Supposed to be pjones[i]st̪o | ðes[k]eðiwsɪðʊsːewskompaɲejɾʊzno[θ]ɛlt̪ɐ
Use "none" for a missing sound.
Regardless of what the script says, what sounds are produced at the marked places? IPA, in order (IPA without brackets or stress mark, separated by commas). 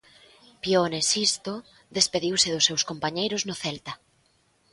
i, p, θ